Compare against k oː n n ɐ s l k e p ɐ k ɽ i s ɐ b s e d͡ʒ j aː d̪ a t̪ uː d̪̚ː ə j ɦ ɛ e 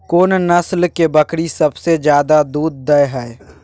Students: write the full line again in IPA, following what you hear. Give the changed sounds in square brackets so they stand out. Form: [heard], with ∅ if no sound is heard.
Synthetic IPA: k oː n n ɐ s l k e [b] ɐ k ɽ i s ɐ b s e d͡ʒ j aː d̪ a [d̪] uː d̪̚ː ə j ɦ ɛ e